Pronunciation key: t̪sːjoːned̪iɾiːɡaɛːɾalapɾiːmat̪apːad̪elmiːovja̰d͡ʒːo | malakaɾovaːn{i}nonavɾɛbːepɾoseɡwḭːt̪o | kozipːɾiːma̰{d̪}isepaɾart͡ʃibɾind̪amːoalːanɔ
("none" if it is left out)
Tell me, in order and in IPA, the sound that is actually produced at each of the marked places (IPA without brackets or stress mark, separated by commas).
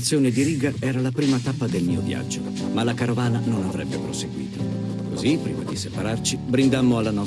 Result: a, d̪